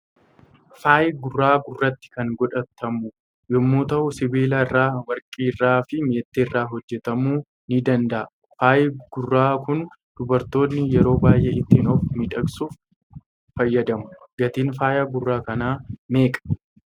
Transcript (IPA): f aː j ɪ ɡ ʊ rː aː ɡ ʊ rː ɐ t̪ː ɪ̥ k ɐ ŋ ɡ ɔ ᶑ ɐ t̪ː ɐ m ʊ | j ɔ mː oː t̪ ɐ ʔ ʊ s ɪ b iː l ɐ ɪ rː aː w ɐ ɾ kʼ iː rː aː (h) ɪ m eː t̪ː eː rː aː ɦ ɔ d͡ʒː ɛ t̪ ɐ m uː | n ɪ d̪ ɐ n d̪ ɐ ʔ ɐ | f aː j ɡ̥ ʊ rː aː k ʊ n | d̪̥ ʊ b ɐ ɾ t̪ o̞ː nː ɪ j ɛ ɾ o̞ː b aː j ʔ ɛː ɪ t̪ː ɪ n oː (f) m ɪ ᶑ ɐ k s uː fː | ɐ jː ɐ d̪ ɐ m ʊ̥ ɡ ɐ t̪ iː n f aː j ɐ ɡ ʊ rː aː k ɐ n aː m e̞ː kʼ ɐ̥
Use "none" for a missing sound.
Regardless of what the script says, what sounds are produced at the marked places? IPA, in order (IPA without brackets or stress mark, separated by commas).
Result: f, f